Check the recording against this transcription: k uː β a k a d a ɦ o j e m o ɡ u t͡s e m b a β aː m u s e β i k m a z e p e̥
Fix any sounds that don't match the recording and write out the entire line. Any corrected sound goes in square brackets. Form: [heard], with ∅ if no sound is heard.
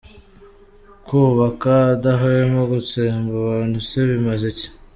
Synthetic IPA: k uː β a k a d a ɦ o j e m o ɡ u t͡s e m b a β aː [n] u s e β i [∅] m a z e [c] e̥